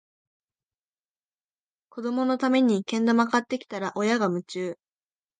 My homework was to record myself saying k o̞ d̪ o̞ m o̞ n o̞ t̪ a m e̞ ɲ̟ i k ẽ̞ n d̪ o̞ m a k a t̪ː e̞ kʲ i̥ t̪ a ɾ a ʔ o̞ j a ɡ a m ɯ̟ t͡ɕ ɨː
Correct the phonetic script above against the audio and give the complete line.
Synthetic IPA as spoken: k o̞ d̪ o̞ m o̞ n o̞ t̪ a m e̞ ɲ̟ i k ẽ̞ n d̪ o̞ m a k a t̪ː e̞ kʲ i̥ t̪ a ɾ a ʔ o̞ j a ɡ a m ɯ̟ t͡ɕ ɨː